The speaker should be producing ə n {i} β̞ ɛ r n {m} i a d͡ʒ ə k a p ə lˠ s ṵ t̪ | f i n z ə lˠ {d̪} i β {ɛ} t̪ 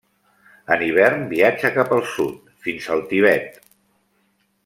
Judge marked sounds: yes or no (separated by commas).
yes, no, no, yes